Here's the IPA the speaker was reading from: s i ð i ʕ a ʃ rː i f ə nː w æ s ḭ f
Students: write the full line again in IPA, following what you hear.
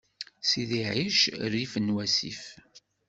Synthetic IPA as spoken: s i ð i ʕ i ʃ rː i f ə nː w æ s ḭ f